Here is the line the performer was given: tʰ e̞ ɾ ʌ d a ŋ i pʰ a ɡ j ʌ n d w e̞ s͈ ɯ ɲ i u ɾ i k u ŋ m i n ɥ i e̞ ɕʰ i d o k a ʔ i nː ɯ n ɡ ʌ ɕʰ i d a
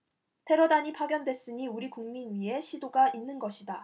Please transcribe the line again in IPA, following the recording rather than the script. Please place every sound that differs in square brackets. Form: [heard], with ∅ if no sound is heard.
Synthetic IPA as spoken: tʰ e̞ ɾ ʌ d a [ɲ] i pʰ a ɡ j ʌ n d w e̞ s͈ ɯ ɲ i u ɾ i k u ŋ m i n ɥ i e̞ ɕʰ i d o [ɡ] a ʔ i nː ɯ n ɡ ʌ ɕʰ i d a